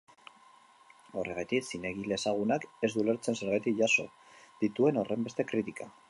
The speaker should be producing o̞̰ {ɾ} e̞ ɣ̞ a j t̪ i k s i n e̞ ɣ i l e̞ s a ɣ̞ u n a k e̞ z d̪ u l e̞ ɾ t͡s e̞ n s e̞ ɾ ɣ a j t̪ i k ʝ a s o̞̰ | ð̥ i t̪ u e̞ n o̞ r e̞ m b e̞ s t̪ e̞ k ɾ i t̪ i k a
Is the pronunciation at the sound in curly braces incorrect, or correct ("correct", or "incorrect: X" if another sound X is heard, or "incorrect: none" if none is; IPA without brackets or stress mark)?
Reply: incorrect: r